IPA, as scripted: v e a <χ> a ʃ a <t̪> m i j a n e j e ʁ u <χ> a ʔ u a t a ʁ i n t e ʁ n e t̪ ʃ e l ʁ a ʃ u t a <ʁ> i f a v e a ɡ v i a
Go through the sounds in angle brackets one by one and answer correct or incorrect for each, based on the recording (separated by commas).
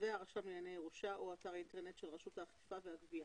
incorrect, incorrect, incorrect, incorrect